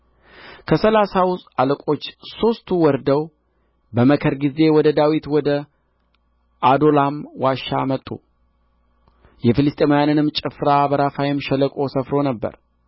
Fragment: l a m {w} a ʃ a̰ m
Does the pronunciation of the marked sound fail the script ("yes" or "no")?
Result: no